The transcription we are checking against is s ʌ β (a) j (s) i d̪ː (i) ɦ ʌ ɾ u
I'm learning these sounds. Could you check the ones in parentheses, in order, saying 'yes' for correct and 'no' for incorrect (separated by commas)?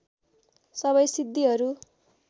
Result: no, yes, yes